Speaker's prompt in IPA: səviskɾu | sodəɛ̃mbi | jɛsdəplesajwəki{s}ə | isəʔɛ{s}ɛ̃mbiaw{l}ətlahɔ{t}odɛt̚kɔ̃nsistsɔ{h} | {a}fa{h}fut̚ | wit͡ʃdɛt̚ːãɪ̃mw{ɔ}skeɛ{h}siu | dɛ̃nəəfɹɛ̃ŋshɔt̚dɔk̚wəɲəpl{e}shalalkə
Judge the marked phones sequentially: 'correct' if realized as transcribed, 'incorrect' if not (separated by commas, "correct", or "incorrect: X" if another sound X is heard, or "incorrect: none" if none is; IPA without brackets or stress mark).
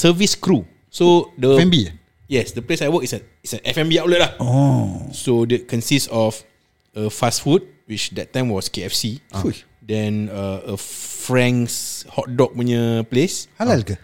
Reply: correct, incorrect: f, correct, incorrect: s, incorrect: f, incorrect: ə, incorrect: s, correct, incorrect: f, correct